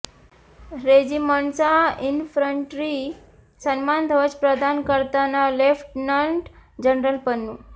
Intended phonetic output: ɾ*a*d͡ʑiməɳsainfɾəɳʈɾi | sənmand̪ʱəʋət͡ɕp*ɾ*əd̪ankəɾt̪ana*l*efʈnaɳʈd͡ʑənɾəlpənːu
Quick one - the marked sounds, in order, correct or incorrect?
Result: incorrect: e, correct, correct

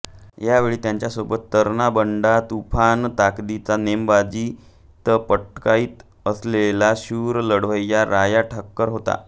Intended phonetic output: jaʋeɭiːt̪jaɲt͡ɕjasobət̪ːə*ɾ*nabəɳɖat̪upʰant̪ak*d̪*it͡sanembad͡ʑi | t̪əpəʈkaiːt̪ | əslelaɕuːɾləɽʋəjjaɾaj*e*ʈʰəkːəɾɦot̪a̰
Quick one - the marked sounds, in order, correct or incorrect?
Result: correct, correct, incorrect: a

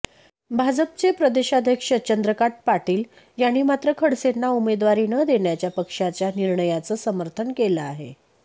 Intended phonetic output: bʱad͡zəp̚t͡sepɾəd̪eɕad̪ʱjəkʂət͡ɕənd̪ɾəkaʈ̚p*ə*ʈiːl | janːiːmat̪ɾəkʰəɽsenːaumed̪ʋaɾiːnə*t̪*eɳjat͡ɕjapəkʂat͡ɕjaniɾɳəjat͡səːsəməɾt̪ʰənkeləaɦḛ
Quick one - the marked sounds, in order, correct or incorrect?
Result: incorrect: a, incorrect: d̪

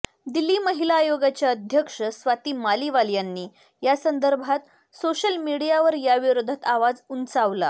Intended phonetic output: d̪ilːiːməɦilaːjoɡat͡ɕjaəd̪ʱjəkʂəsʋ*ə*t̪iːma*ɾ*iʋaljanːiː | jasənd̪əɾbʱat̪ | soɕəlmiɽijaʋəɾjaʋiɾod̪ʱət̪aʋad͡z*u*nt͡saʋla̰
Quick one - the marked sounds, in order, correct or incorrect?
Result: incorrect: a, incorrect: l, correct

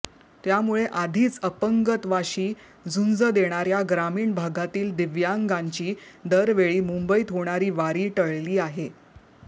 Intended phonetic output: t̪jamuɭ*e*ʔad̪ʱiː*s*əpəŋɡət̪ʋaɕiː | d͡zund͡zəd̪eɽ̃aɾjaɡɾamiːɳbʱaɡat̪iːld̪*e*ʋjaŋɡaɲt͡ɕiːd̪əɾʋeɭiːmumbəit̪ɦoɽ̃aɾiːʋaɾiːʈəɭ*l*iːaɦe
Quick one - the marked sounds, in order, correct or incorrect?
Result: correct, incorrect: t͡s, incorrect: i, correct

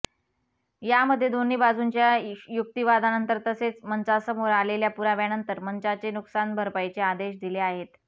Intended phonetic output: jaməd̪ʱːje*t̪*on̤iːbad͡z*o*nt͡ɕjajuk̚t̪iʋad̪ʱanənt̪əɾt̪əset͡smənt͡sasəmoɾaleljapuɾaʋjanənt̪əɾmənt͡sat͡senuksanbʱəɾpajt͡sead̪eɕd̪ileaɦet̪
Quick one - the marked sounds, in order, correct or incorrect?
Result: incorrect: d̪, incorrect: u

